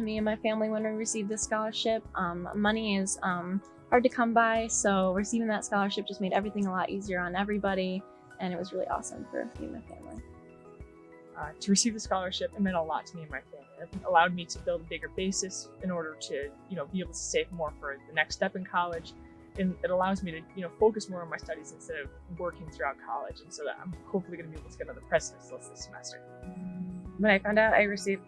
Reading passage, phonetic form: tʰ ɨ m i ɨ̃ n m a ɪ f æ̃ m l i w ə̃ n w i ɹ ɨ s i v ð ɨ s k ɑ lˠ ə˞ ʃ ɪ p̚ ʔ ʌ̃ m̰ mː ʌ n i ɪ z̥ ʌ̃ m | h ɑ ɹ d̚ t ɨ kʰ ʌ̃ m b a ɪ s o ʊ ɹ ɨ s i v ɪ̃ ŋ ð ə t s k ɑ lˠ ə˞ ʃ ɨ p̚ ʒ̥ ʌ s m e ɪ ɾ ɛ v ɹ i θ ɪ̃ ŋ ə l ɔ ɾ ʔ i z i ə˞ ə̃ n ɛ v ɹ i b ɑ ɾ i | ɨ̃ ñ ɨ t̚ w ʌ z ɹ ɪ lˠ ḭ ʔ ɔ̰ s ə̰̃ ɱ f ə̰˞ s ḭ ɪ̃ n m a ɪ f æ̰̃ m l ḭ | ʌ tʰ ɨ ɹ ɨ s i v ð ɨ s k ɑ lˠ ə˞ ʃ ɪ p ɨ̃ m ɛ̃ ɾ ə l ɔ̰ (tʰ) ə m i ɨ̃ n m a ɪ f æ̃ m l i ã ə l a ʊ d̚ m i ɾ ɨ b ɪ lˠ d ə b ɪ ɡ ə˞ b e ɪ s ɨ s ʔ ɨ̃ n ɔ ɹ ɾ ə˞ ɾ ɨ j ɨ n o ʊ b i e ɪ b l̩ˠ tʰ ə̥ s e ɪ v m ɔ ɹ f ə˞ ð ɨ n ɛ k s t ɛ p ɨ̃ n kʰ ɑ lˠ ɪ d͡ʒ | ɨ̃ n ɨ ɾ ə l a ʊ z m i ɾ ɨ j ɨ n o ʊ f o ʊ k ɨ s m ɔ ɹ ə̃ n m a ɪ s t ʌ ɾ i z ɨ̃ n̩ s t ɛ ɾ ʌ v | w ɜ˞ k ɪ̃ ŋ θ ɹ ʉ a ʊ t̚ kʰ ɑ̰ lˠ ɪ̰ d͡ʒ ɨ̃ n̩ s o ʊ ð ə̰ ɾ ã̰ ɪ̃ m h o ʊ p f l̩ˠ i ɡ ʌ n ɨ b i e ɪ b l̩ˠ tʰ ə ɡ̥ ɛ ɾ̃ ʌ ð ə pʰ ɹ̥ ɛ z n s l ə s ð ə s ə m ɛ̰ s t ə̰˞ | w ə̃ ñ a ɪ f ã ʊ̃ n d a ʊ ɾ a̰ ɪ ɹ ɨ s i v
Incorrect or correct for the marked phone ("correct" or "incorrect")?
correct